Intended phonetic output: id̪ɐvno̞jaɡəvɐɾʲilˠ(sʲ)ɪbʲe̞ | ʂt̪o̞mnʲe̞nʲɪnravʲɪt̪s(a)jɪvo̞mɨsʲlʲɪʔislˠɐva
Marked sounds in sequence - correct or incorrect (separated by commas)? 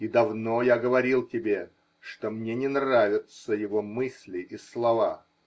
incorrect, incorrect